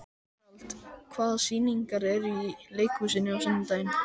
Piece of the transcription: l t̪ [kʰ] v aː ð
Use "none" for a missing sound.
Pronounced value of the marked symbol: kʰ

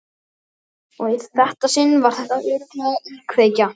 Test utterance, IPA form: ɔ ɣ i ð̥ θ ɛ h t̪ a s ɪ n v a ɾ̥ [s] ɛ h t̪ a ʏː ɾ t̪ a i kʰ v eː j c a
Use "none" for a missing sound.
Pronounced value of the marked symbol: θ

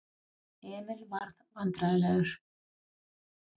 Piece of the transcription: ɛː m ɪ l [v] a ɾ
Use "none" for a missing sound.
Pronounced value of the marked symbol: v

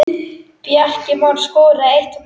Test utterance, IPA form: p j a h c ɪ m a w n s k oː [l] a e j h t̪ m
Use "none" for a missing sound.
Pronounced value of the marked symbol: ɾ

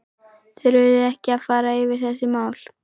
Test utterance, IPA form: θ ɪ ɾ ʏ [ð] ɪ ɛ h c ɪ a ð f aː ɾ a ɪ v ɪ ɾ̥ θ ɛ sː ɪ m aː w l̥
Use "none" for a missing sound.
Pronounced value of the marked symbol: ð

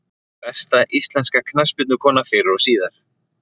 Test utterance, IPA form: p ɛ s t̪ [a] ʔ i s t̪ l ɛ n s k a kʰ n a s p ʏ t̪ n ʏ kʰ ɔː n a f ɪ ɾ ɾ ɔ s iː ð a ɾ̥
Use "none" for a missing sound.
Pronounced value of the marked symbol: a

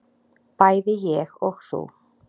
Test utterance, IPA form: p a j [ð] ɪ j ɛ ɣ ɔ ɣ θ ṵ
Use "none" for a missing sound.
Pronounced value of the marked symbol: ð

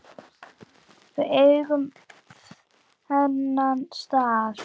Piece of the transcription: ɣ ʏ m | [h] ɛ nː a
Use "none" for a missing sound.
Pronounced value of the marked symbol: h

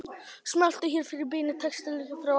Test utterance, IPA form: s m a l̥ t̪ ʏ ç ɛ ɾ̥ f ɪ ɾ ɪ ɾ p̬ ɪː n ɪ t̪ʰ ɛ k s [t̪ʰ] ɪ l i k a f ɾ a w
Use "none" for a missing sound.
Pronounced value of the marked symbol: t̪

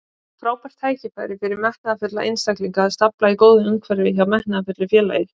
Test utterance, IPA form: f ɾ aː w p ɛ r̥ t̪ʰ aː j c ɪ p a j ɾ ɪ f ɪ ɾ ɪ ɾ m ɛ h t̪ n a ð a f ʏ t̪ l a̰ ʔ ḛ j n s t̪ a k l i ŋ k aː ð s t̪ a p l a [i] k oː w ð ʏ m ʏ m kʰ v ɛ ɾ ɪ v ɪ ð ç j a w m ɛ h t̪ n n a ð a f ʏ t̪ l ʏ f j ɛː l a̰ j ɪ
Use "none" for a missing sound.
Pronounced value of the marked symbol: i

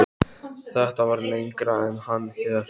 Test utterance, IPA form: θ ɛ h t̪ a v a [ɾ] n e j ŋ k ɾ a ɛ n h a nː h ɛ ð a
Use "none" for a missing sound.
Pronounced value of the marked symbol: ɾ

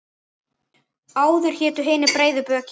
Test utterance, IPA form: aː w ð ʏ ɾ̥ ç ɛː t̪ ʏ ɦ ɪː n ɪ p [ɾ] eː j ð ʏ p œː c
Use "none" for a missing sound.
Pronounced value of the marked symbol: ɾ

